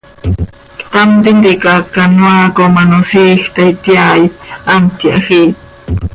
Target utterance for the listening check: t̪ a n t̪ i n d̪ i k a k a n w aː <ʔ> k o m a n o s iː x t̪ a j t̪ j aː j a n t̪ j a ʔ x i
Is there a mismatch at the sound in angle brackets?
yes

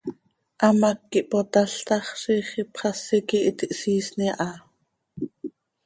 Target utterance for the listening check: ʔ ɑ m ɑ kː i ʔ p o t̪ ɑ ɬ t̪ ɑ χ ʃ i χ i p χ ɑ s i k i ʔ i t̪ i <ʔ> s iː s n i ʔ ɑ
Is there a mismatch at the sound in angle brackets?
no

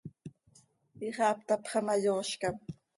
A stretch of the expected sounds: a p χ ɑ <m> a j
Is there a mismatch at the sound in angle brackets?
no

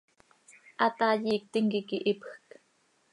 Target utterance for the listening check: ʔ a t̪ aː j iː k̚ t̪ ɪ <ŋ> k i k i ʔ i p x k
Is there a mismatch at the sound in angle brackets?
no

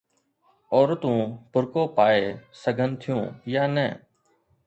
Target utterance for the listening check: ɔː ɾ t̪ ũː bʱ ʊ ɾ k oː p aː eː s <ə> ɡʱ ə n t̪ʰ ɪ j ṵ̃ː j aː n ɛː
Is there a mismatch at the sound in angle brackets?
no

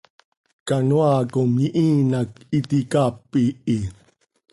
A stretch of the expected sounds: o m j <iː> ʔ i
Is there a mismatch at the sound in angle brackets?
yes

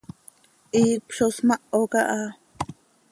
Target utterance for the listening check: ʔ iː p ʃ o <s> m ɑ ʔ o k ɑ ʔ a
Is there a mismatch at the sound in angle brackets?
no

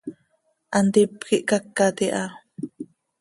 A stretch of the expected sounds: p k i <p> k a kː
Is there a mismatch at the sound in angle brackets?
yes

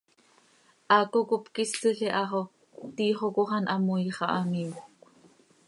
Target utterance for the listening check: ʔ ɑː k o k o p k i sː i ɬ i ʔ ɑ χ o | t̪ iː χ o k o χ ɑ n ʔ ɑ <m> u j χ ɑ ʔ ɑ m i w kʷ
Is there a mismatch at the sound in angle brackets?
no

